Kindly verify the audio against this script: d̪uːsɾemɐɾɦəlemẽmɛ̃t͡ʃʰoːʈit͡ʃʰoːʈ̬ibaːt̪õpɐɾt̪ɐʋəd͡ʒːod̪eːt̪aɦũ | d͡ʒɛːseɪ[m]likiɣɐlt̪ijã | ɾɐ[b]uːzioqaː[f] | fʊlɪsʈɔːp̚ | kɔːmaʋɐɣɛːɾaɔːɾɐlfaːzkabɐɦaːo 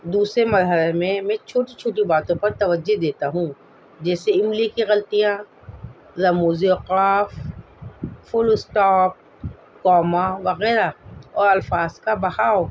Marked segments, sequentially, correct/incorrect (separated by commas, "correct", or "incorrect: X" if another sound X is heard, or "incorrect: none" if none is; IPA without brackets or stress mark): correct, incorrect: m, correct